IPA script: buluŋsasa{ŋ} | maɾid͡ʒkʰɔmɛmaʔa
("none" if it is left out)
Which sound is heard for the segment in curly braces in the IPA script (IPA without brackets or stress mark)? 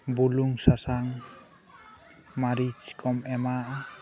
ŋ